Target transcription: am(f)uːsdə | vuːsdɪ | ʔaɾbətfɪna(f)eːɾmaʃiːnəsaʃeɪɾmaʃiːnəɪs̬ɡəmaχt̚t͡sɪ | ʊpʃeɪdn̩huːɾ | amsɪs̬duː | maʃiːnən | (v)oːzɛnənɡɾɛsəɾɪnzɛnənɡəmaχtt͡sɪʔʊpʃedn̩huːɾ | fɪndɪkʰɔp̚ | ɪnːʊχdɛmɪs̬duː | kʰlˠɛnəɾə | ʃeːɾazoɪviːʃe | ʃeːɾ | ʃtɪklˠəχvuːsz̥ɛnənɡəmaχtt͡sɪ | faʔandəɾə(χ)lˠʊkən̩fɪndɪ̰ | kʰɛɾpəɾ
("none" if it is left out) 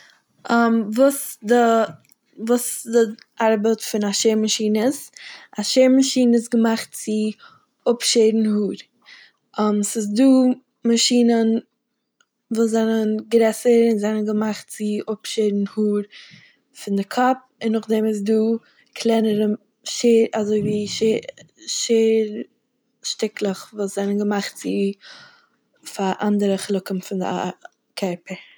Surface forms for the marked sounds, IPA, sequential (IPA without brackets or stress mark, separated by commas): v, ʃ, v, χ